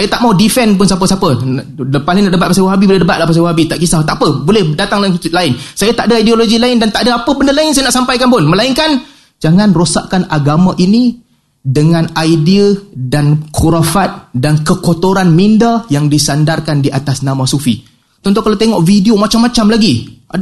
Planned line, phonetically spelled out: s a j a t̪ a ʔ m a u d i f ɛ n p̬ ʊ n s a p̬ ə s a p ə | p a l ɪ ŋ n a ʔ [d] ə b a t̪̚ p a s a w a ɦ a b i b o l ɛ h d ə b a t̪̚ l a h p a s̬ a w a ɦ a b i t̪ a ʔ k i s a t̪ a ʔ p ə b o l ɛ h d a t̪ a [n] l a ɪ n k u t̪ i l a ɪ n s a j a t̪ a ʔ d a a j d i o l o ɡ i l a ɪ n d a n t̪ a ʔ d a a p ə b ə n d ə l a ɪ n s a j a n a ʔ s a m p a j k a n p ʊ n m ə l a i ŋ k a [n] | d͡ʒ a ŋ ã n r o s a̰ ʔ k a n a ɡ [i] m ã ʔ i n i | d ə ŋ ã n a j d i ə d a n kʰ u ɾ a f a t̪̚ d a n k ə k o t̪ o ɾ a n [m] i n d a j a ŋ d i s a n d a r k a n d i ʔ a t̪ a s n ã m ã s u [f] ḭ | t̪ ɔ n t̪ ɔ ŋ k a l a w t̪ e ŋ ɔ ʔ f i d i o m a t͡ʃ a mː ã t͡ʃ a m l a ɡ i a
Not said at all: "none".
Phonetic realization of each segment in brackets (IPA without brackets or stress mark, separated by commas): d, ŋ, n, a, m, f